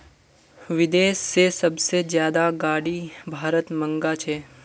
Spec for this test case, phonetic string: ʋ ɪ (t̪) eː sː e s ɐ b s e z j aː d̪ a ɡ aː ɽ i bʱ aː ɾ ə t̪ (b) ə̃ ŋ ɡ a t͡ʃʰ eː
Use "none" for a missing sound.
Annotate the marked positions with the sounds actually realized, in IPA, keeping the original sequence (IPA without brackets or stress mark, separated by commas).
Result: d̪, m